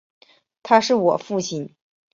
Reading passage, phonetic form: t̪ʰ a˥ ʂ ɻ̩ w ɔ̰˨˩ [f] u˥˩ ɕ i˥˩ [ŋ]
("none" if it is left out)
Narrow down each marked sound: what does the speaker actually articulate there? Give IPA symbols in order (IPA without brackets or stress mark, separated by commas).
f, n